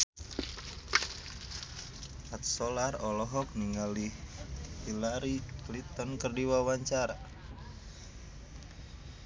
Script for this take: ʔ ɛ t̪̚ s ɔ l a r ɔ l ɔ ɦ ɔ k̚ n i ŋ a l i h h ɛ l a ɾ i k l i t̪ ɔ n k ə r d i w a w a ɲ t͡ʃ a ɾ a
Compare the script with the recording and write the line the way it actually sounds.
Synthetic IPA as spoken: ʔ a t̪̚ s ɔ l a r ɔ l ɔ ɦ ɔ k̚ n i ŋ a l i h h i l a ɾ i k l i t̪ ɔ n k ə r d i w a w a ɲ t͡ʃ a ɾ a